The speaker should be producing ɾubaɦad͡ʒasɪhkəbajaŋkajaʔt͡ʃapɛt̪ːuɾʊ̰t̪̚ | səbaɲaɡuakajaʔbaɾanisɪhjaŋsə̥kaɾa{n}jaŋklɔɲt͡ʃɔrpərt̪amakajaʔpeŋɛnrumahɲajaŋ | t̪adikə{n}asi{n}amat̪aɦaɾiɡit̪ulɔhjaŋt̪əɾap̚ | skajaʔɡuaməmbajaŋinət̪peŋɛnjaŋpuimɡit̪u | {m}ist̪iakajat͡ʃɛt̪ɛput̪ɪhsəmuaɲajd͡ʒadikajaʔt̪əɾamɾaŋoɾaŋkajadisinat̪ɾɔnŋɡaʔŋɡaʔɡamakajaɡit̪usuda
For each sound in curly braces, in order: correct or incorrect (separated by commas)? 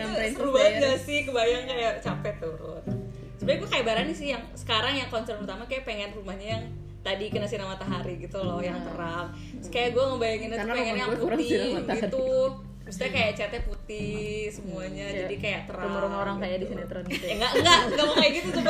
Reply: incorrect, correct, correct, correct